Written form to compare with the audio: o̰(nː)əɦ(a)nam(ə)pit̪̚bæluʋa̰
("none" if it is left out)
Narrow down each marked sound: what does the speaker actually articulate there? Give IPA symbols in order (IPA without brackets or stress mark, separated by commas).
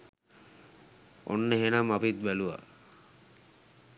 nː, e, a